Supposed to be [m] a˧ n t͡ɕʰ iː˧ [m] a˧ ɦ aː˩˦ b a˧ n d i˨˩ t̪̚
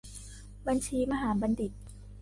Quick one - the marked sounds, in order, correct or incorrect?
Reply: incorrect, correct

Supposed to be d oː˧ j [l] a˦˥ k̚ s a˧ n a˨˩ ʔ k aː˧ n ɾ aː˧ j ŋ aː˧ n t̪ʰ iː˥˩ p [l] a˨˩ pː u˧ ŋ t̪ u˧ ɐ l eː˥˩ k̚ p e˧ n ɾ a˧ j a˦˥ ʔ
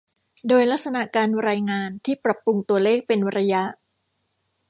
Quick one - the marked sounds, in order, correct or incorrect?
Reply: correct, incorrect

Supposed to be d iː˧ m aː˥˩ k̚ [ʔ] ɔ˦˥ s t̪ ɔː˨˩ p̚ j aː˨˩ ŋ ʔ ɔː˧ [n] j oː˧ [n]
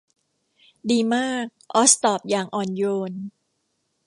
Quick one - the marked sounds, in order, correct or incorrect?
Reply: correct, correct, correct

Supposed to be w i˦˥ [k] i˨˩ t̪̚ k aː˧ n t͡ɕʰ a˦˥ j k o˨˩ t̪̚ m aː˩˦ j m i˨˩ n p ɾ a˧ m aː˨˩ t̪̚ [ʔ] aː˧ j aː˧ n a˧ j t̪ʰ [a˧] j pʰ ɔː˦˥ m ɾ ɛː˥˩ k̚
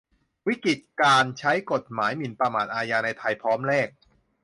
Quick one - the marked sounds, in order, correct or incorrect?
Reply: correct, correct, correct

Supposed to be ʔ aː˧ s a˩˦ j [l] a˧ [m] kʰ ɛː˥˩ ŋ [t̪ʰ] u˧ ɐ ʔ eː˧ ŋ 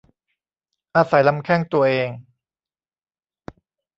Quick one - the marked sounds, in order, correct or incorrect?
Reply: correct, correct, incorrect

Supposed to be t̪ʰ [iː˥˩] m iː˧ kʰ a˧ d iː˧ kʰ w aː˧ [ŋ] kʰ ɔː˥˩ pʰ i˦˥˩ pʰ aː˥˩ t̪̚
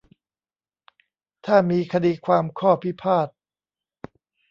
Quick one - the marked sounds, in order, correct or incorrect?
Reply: incorrect, incorrect

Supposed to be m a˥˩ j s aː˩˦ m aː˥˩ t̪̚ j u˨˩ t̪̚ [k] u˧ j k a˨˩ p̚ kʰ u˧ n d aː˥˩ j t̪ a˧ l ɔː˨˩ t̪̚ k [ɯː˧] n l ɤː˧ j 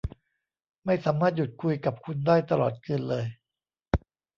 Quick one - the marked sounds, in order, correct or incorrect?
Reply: incorrect, correct

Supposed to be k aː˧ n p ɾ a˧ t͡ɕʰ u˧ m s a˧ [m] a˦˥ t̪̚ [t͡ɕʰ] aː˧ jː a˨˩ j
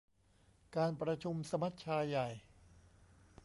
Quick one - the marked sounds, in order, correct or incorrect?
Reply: correct, correct

